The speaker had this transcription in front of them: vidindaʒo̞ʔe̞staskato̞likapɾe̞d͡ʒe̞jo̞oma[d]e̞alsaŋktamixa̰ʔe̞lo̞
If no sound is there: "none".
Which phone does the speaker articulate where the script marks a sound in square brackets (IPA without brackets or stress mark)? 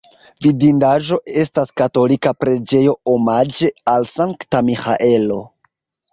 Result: d͡ʒ